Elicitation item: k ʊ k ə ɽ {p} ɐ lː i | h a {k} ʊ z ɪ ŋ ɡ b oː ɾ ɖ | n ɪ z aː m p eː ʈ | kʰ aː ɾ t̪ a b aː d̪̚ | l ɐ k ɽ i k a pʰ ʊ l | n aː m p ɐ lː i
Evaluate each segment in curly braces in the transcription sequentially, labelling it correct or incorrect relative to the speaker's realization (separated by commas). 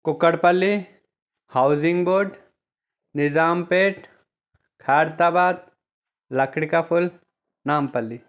correct, incorrect